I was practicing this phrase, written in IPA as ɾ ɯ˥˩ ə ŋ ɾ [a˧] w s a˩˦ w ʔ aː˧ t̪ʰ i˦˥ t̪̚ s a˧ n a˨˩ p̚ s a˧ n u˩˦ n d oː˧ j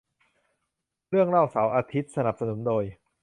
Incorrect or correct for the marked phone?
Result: incorrect: a˥˩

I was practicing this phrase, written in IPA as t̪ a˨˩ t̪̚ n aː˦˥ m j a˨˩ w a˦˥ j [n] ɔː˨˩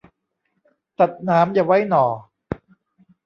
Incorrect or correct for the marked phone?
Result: correct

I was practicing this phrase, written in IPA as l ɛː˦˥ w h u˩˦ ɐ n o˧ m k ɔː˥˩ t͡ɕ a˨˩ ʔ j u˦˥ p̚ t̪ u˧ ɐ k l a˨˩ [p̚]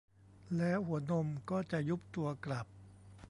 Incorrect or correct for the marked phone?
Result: correct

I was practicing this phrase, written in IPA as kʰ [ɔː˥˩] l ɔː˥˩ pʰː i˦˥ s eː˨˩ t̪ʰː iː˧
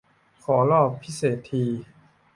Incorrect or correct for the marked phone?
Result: incorrect: ɔː˩˦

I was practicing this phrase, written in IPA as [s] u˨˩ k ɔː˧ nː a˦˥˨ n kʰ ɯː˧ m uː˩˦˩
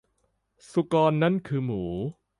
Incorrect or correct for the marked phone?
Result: correct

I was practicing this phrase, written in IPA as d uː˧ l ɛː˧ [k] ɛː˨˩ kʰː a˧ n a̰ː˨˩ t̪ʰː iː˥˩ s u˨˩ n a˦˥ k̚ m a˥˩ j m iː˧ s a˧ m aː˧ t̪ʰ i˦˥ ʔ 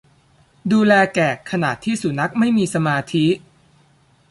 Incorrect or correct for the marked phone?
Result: correct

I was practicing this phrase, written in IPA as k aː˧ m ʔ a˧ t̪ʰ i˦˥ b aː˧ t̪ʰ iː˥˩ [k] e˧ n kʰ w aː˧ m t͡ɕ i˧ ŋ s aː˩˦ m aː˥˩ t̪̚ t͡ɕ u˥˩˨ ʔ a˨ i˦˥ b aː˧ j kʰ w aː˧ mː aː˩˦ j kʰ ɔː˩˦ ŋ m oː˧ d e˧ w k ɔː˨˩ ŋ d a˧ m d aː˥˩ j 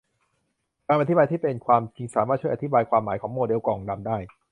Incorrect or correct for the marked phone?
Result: incorrect: p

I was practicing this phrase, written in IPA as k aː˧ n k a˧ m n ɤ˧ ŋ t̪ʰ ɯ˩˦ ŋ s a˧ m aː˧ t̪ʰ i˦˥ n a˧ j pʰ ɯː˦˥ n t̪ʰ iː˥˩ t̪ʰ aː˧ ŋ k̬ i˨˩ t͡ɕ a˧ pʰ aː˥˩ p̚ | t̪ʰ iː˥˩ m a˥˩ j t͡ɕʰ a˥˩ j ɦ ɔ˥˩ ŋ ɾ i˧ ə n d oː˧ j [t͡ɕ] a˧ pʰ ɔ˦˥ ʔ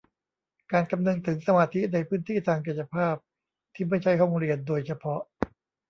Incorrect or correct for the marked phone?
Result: incorrect: t͡ɕʰ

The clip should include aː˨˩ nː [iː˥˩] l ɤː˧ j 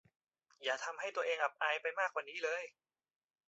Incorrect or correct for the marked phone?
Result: incorrect: iː˦˥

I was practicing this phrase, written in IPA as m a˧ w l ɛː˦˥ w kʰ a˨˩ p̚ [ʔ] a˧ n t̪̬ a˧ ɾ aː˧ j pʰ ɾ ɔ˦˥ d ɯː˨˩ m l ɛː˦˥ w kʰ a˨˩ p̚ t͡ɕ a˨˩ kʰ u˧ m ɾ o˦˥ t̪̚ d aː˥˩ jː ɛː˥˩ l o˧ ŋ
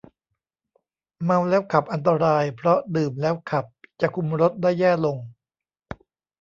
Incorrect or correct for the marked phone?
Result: correct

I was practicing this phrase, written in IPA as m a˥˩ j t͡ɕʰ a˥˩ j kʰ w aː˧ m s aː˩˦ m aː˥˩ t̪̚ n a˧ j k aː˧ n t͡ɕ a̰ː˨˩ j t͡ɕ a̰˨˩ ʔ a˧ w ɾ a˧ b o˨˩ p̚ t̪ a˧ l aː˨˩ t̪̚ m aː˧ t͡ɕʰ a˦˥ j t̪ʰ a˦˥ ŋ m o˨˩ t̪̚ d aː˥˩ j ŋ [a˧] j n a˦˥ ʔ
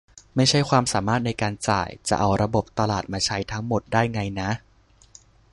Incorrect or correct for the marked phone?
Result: correct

